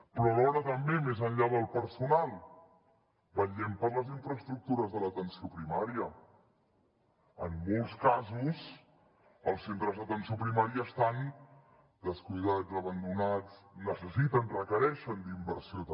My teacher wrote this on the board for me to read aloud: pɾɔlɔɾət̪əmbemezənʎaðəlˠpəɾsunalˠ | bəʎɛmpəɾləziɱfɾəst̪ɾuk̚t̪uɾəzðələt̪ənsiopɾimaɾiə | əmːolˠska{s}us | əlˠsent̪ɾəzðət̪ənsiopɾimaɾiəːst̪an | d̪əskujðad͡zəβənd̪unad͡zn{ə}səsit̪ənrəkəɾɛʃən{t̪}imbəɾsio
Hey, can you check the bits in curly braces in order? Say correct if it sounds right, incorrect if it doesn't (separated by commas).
incorrect, correct, incorrect